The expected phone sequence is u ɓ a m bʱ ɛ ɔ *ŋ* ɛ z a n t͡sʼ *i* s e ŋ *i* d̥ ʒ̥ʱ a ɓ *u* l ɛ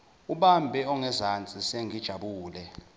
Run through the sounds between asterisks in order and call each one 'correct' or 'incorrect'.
correct, correct, correct, incorrect: uː

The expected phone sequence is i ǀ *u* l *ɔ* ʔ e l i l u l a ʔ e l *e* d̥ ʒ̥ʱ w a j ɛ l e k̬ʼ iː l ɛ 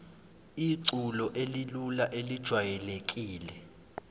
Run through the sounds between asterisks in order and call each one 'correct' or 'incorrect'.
correct, correct, incorrect: i

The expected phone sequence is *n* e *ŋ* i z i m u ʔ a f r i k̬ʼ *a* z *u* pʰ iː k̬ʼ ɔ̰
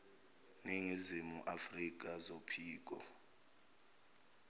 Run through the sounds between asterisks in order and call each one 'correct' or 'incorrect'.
correct, correct, correct, incorrect: o

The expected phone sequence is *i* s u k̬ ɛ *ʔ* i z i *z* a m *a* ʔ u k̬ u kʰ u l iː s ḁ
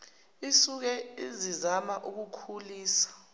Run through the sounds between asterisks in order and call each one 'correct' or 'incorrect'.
correct, incorrect: none, correct, correct

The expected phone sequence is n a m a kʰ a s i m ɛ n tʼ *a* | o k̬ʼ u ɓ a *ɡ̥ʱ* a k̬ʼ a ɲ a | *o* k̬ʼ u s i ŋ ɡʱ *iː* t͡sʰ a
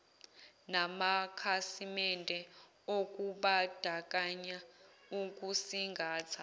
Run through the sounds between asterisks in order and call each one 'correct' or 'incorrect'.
incorrect: ɛ, incorrect: d̥ʱ, incorrect: u, incorrect: aː

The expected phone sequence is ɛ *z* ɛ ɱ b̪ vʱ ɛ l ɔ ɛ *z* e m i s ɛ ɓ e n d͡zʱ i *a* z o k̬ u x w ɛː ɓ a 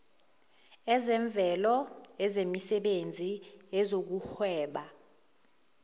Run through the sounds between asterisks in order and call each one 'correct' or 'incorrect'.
correct, correct, incorrect: ɛ

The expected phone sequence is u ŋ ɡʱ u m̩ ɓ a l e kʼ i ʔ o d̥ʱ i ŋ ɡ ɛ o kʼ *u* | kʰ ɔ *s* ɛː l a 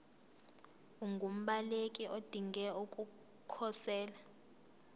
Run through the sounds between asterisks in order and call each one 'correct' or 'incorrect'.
correct, correct

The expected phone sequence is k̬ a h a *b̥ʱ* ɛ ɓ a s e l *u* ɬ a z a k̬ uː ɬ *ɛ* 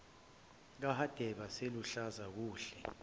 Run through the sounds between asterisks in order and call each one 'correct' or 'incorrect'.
incorrect: d̥ʱ, correct, correct

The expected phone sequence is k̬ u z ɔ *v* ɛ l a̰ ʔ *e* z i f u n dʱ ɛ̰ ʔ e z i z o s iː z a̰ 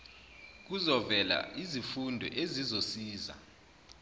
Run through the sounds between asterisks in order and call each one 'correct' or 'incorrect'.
correct, incorrect: i

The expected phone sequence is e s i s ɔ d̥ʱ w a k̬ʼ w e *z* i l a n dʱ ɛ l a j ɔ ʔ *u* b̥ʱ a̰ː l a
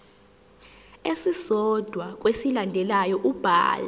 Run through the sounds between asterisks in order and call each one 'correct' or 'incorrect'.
incorrect: s, correct

